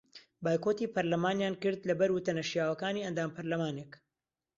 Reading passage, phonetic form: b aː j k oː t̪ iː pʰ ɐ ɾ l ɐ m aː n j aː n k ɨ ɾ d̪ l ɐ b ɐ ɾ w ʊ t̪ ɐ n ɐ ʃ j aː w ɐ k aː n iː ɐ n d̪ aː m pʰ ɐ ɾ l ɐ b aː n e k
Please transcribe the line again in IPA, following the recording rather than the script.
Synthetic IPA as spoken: b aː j k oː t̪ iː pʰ ɐ ɾ l ɐ m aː n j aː n k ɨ ɾ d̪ l ɐ b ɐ ɾ w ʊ t̪ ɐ n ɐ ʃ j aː w ɐ k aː n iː ɐ n d̪ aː m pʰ ɐ ɾ l ɐ m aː n e k